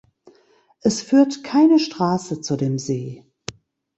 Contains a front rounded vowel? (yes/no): yes